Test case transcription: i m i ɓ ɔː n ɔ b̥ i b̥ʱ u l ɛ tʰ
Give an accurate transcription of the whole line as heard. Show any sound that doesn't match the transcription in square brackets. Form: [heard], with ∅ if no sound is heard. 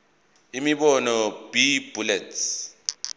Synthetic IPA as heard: i m i ɓ [ɔ] n ɔ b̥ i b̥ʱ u l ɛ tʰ

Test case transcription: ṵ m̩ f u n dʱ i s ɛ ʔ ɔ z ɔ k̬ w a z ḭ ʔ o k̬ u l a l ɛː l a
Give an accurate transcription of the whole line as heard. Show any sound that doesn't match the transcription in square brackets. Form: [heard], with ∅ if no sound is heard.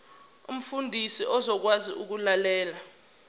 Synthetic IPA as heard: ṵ m̩ f u n dʱ i s [i] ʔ ɔ z ɔ k̬ w a z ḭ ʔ [u] k̬ u l a l ɛː l a

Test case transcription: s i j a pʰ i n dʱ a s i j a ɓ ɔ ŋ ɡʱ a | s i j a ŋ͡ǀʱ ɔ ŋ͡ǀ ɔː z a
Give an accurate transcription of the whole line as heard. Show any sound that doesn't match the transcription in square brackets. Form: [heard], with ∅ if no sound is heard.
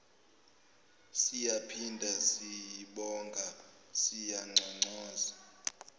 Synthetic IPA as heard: s i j a pʰ i n dʱ a s i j [i] ɓ ɔ ŋ ɡʱ a | s i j a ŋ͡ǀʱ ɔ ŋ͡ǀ ɔː z a

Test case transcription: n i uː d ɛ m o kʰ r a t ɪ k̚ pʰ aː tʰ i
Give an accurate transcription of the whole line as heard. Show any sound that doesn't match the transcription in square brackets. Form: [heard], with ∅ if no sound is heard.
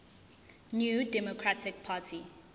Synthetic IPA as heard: n [j] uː d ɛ m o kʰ [ɹ] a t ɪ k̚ pʰ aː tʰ i

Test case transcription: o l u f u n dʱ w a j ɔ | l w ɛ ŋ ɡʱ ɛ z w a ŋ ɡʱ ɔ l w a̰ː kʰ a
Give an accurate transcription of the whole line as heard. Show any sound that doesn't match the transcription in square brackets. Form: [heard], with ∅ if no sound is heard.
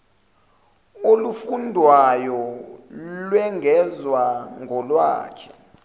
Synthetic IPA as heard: o l u f u n dʱ w a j ɔ | l w ɛ ŋ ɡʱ ɛ z w a ŋ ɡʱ ɔ l w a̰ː kʰ [ɛ]

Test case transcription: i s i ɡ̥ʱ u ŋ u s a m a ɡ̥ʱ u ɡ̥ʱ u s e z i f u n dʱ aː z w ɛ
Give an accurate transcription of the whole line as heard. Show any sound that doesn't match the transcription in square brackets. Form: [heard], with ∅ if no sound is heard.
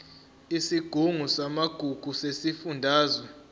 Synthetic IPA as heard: i s i ɡ̥ʱ u ŋ u s a m a ɡ̥ʱ u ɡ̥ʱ u s e [s] i f u n dʱ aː z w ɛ

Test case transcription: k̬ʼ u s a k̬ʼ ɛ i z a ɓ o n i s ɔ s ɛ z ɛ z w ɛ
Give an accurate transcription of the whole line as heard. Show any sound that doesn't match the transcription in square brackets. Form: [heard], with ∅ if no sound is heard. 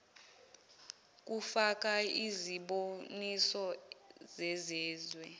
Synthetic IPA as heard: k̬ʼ u [f] a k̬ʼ [a] i z [i] ɓ o n i s ɔ [z] ɛ z [ɛː] z w ɛ

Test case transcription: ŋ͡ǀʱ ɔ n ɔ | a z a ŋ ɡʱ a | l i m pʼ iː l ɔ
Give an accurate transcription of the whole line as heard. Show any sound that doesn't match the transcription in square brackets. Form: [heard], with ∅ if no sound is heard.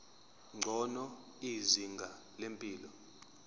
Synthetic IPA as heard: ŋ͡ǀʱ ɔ n ɔ | [i] z [i] ŋ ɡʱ a | l [e] m pʼ iː l ɔ

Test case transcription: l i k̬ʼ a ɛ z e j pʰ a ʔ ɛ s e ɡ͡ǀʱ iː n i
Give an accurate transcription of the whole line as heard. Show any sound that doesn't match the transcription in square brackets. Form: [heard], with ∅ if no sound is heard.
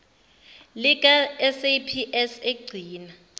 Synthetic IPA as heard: l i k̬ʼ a ɛ [s] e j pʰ [i] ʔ ɛ s e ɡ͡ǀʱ iː n [a]

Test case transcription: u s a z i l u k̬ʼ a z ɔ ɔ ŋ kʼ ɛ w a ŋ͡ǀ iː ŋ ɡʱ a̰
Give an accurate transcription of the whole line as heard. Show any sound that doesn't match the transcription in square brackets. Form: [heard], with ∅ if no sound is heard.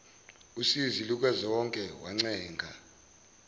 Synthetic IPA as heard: u s [i] z i l u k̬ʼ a z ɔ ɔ ŋ kʼ ɛ w a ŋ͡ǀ [ɛː] ŋ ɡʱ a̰

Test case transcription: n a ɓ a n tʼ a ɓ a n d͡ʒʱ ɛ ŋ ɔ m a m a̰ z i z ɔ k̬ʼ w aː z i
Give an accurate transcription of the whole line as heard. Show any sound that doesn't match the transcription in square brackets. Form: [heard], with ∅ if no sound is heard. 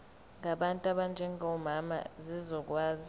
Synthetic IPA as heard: [ŋ] a ɓ a n tʼ a ɓ a n d͡ʒʱ ɛ ŋ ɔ m a m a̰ z i z ɔ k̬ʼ w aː z i

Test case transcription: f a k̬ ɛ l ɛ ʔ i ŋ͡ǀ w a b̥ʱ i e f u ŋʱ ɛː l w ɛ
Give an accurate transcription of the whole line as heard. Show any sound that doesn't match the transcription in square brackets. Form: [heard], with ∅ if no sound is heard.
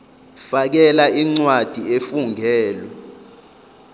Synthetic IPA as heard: f a k̬ ɛ l [a] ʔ i ŋ͡ǀ w a [d̥ʱ] i e f u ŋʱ ɛː l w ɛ

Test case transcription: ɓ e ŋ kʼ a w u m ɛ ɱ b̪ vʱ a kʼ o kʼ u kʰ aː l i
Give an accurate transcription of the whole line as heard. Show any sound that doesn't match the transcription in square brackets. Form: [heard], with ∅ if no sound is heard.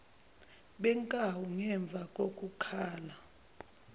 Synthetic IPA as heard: ɓ [ɛ] ŋ kʼ a w u [ŋ] ɛ ɱ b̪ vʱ a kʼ o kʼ u kʰ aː l [a]

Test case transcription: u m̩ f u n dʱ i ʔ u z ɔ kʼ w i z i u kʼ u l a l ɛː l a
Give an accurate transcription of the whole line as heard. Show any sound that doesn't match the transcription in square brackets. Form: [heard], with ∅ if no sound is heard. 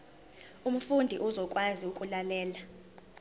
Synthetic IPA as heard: u m̩ f u n dʱ i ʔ u z ɔ kʼ w [a] z i u kʼ u l a l ɛː l a

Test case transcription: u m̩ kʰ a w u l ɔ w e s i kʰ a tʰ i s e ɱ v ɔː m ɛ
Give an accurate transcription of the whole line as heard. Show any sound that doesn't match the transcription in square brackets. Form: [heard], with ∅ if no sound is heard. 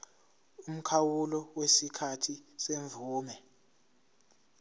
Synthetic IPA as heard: u m̩ kʰ a w u l ɔ w e s i kʰ a tʰ i s e ɱ v [uː] m ɛ

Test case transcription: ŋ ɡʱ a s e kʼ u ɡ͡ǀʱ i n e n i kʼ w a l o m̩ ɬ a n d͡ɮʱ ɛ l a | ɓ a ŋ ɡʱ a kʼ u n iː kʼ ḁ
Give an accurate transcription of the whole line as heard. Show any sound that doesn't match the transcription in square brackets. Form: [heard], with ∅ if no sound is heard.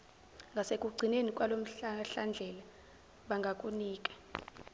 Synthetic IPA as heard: ŋ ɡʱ a s e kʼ u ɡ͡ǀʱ i n e n i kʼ w a l o m̩ ɬ a n d͡ɮʱ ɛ l a | ɓ a ŋ ɡʱ a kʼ u n iː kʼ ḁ

